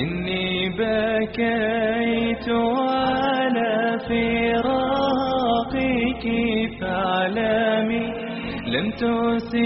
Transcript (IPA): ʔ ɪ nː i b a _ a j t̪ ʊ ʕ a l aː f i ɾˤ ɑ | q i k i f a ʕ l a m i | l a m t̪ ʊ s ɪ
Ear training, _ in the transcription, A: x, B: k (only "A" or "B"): B